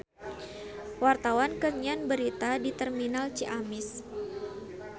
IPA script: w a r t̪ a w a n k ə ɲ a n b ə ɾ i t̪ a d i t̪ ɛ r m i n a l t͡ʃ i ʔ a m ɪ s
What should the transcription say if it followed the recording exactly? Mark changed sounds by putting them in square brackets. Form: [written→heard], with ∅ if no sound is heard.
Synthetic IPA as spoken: w a r t̪ a w a n k ə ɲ a n b ə ɾ i t̪ a d i t̪ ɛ r m i n a l t͡ʃ i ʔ a m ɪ s